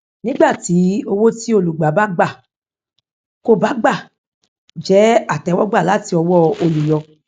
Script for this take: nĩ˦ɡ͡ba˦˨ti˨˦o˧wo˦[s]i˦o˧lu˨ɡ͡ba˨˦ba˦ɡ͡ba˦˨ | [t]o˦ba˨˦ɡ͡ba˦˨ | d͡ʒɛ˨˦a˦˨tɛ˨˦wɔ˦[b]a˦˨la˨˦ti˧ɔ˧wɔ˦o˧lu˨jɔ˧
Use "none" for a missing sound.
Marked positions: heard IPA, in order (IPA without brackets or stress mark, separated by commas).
t, k, ɡ͡b